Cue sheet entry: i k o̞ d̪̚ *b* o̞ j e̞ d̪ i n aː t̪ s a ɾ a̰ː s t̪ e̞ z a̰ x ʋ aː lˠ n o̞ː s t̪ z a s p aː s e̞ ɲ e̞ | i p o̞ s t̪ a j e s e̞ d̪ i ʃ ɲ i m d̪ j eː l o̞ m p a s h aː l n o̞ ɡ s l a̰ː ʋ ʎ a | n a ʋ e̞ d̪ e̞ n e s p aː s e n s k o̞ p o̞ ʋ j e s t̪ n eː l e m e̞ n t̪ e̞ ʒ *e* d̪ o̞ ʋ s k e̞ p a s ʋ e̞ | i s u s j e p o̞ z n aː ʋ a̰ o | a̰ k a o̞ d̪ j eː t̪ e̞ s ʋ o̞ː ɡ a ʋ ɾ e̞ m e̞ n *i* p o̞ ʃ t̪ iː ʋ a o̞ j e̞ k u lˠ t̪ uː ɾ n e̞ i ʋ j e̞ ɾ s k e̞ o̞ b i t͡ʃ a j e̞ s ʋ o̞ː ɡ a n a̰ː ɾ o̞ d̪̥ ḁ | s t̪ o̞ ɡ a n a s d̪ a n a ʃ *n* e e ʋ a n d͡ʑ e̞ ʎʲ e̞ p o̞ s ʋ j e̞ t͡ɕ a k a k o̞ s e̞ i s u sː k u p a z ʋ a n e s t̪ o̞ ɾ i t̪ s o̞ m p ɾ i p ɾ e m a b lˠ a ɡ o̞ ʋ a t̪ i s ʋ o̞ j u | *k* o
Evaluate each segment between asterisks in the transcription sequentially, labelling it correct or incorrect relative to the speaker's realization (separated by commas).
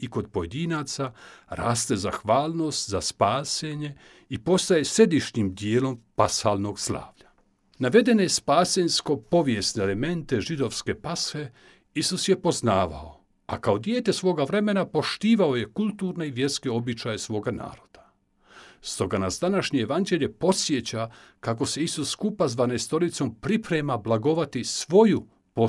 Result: incorrect, incorrect, incorrect, incorrect, incorrect